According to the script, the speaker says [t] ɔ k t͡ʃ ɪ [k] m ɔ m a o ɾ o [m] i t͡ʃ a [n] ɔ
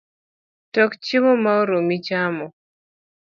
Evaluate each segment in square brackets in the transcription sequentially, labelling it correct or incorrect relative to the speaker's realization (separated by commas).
correct, incorrect, correct, incorrect